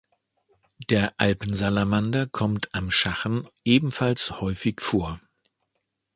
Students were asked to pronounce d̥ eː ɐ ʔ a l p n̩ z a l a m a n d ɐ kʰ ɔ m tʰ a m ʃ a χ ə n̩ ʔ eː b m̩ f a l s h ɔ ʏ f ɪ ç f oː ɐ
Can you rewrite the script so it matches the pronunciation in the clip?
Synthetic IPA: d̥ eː ɐ ʔ a l p n̩ z a l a m a n d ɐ kʰ ɔ m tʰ a m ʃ a χ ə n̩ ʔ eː b m̩ f a l s h ɔ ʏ f ɪ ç f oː ɐ